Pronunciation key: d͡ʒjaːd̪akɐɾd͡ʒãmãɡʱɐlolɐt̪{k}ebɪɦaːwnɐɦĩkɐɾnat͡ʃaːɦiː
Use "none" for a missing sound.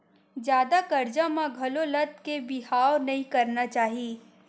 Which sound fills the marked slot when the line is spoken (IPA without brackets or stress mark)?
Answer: k